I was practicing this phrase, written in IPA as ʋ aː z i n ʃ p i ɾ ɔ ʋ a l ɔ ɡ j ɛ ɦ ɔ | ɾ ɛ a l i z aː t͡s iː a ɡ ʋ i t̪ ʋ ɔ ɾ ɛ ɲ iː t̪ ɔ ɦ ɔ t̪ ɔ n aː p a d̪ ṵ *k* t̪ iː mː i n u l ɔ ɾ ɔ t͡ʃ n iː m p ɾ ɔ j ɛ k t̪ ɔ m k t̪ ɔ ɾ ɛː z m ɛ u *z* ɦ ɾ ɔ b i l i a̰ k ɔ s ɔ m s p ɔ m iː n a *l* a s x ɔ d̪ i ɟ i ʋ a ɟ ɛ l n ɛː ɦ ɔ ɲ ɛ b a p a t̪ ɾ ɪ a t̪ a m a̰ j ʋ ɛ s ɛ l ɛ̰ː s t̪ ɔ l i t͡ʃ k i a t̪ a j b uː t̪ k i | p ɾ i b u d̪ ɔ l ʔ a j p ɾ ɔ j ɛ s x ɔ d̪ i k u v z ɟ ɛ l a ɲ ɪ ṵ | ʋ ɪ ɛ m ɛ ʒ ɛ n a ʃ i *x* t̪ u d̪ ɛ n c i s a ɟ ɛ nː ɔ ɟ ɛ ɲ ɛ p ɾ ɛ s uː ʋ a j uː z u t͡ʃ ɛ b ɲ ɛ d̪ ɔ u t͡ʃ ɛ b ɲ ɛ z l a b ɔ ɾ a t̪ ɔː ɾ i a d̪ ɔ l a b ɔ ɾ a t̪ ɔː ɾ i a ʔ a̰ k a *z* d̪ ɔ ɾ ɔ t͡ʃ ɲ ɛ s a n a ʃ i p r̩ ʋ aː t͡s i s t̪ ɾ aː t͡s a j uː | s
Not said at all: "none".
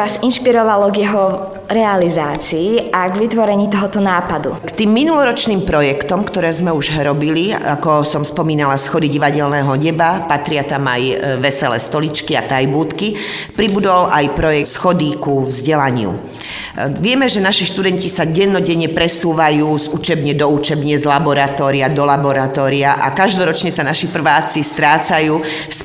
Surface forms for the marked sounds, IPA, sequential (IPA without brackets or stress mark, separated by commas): k, ʒ, l, ʃ, ʒ